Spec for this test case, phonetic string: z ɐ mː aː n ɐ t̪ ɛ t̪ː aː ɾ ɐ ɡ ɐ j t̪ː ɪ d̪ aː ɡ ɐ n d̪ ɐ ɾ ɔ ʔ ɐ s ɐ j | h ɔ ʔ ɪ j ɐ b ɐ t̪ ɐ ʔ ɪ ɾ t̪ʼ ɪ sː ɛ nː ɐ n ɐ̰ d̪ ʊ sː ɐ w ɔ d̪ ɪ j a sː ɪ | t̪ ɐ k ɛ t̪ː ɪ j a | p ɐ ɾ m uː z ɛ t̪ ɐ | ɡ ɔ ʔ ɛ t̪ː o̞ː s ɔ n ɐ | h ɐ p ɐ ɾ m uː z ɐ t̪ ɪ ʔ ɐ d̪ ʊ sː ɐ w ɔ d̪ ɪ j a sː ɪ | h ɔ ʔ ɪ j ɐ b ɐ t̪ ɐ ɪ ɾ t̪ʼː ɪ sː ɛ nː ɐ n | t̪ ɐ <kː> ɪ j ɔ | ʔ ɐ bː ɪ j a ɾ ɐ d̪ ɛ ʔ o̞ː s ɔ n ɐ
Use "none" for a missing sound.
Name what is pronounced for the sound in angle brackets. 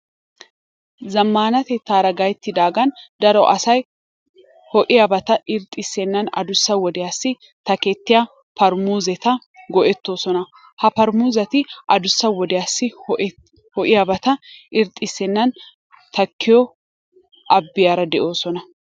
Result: kː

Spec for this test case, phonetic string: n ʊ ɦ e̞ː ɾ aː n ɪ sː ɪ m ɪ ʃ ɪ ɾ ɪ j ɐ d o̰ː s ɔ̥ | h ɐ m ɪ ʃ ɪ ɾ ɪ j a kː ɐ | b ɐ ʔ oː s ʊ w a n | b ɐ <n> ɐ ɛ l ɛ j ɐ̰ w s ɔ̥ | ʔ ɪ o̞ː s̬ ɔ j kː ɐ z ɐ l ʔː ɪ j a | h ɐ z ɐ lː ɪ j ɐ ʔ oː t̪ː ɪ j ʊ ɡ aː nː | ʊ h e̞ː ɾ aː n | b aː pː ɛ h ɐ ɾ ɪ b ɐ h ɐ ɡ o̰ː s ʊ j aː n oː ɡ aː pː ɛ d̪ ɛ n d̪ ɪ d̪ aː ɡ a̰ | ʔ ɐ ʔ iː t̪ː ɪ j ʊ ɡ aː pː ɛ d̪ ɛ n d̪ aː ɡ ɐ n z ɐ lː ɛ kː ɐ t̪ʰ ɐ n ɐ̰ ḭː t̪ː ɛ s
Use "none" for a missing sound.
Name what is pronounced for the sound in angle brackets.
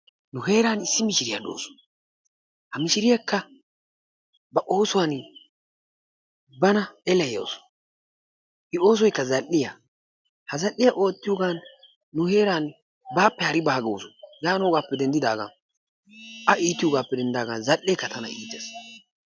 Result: n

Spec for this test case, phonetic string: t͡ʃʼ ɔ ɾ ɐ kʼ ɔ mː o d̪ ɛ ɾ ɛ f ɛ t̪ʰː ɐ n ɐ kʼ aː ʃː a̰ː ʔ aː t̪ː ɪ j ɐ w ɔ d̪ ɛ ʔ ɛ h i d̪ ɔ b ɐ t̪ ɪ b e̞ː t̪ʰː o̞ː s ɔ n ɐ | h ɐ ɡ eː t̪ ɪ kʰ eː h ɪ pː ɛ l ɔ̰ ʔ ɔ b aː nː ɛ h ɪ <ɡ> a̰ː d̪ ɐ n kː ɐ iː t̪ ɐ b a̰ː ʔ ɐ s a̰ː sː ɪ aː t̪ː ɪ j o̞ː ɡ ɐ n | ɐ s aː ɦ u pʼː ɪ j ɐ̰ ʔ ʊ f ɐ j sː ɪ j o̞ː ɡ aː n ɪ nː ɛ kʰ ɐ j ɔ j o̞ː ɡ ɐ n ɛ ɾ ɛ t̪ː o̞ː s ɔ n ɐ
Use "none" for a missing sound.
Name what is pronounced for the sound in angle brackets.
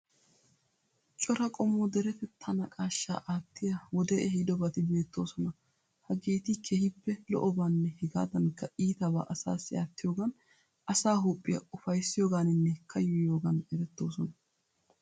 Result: ɡ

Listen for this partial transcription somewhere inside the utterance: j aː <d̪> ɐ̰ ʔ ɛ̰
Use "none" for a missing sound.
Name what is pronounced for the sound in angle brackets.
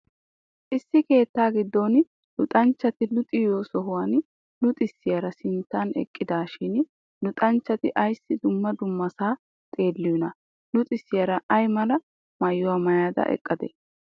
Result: d̪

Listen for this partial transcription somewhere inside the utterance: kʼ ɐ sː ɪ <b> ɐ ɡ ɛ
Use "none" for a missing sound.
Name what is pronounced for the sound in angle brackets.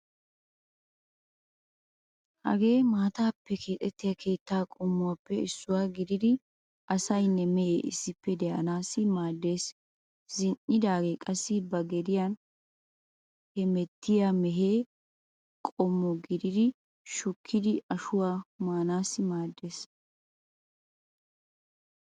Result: b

